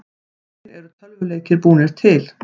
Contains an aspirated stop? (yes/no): yes